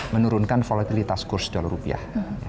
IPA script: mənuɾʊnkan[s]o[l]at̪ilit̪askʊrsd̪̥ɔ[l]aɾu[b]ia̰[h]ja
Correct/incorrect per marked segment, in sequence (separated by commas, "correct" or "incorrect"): incorrect, correct, correct, incorrect, correct